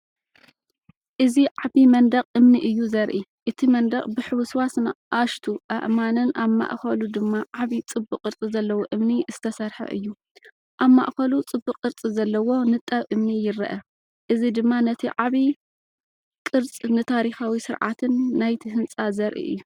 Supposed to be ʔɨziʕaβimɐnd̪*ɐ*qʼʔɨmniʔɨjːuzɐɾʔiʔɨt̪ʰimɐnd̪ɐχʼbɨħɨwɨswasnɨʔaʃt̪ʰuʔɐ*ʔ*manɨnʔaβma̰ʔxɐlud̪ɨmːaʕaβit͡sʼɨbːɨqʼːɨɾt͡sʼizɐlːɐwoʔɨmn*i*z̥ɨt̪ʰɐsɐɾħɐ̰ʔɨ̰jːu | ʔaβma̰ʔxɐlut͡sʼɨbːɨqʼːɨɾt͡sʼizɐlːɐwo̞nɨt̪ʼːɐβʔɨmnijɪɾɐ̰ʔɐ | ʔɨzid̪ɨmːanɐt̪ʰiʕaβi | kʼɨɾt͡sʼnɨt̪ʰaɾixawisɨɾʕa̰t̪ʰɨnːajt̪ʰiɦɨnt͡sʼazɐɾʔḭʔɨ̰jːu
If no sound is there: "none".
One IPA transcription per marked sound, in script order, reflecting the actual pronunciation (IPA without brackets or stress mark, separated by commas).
ɐ, ʔ, i